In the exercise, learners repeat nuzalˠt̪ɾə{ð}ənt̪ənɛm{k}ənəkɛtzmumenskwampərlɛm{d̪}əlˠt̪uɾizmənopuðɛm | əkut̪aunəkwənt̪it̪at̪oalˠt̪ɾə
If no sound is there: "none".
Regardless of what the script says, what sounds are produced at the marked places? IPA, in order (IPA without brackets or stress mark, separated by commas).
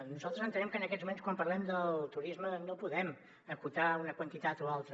z, k, d̪